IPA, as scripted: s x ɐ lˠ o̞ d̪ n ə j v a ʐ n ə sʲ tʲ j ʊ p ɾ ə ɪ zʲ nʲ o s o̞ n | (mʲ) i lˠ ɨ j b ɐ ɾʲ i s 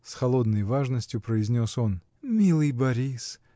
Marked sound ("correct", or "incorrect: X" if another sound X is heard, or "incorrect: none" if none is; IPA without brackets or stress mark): correct